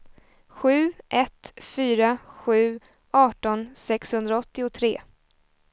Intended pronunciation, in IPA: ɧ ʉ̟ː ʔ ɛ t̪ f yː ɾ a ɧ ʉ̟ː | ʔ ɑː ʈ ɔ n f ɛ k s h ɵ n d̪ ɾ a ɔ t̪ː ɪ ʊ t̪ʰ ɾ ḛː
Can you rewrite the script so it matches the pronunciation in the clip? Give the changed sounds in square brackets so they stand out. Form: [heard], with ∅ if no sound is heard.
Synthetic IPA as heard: ɧ ʉ̟ː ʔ ɛ t̪ f yː ɾ a ɧ ʉ̟ː | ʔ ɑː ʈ ɔ n [s] ɛ k s h ɵ n d̪ ɾ a ɔ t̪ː ɪ ʊ t̪ʰ ɾ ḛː